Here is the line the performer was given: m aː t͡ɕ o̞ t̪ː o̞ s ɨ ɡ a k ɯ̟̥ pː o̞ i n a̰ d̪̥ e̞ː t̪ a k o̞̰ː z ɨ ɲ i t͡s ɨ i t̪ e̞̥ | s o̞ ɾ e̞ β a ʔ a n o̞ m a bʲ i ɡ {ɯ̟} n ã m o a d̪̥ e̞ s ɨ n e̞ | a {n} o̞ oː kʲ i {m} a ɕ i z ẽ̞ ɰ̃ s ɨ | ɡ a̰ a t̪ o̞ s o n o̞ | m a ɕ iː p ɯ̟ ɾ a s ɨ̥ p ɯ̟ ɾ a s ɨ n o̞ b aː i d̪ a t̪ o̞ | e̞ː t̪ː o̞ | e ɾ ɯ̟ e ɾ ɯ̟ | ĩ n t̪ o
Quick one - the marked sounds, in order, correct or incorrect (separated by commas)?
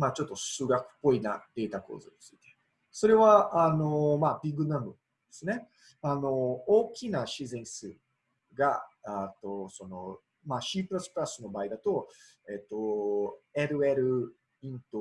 correct, correct, incorrect